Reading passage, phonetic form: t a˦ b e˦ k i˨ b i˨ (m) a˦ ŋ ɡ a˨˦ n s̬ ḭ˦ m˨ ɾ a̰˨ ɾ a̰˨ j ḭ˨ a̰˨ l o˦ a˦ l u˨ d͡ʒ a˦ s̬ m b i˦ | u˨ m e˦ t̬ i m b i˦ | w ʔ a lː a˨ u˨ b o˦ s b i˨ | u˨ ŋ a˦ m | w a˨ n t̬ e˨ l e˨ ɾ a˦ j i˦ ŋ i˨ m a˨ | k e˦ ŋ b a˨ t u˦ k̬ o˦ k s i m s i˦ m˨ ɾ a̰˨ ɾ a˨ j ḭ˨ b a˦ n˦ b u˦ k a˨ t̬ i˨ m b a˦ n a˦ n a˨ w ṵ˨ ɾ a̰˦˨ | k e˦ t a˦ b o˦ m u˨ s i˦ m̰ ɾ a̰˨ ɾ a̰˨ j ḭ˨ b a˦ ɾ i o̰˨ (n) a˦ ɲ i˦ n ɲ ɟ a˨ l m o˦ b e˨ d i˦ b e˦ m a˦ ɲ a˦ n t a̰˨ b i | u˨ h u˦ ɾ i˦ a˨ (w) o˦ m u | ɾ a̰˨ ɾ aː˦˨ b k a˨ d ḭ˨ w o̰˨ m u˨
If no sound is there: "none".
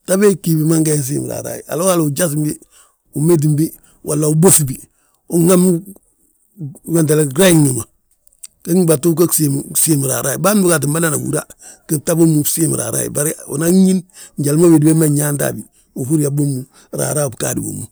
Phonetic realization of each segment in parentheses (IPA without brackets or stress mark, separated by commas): m, n, b